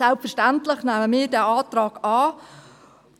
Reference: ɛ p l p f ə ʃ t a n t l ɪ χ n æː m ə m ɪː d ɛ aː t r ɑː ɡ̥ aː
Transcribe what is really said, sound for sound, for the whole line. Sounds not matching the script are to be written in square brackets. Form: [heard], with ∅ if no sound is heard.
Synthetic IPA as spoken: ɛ [∅] l p f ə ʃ t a n t l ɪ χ n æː m ə m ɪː d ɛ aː t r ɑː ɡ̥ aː